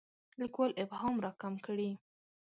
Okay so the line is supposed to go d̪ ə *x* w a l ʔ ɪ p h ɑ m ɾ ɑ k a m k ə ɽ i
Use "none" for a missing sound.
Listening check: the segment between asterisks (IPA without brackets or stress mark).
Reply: k